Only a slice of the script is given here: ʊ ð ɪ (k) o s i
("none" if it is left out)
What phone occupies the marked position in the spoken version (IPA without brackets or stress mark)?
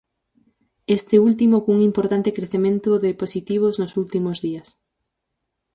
p